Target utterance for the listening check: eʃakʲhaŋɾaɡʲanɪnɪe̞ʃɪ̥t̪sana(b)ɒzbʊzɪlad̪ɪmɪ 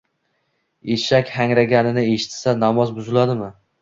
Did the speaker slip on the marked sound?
yes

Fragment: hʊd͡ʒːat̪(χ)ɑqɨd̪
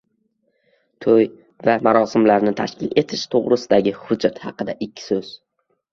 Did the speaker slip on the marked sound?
yes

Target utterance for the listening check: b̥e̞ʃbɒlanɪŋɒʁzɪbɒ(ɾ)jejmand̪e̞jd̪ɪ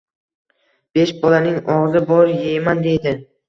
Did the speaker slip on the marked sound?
no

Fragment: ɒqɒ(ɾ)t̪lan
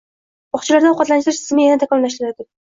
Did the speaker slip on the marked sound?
yes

